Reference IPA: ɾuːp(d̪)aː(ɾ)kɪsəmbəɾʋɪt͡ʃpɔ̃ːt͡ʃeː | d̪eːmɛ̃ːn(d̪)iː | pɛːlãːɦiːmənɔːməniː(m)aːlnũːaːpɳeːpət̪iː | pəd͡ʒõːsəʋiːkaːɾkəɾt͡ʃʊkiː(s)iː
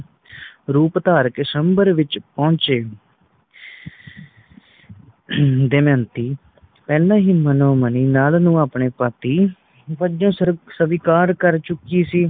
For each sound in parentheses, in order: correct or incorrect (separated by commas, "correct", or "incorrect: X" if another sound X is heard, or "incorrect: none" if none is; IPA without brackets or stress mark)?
incorrect: t̪, correct, incorrect: t̪, incorrect: n, correct